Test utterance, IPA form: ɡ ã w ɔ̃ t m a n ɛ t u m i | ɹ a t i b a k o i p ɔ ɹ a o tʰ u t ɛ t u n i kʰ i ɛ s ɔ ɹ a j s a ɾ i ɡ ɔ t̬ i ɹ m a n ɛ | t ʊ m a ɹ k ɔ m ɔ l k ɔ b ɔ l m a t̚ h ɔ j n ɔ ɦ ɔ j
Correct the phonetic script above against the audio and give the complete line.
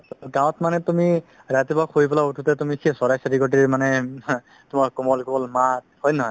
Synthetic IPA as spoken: ɡ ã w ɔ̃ t m a n ɛ t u m i | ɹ a t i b a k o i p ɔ l a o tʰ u t ɛ t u m i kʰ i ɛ s ɔ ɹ a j s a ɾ i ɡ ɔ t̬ i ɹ m a n ɛ | t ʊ m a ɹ k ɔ m ɔ l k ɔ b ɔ l m a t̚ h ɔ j n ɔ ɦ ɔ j